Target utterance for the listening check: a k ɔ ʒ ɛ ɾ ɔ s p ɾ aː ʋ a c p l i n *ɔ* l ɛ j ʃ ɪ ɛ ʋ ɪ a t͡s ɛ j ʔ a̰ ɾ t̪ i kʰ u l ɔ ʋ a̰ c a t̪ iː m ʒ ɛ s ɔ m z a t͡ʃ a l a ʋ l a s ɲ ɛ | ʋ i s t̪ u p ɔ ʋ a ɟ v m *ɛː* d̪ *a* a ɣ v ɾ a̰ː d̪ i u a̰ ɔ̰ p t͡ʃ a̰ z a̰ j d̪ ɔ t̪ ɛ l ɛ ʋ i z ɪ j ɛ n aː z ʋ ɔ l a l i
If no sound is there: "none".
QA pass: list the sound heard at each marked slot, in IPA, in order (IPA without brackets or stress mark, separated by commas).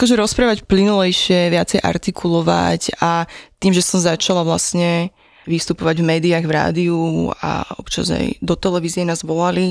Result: u, ɛː, i